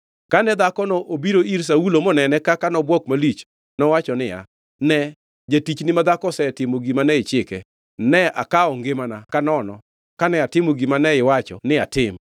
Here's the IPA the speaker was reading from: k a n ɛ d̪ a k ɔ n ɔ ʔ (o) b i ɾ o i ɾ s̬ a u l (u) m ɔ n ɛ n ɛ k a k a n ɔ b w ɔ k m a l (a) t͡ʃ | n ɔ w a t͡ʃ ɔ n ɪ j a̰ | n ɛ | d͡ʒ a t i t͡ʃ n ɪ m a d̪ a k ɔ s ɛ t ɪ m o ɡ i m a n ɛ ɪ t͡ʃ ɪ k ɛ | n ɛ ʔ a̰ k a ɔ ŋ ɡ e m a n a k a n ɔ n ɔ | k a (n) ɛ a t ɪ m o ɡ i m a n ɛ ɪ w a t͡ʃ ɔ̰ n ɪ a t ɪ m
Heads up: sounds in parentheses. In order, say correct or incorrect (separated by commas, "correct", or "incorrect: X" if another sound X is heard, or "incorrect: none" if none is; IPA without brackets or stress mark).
correct, incorrect: o, incorrect: i, correct